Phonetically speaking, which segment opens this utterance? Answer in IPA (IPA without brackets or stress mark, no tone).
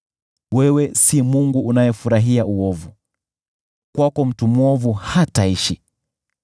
w